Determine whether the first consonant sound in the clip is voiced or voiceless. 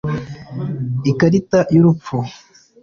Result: voiceless